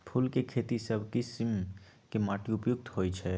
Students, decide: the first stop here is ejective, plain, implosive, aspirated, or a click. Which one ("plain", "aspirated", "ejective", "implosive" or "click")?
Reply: aspirated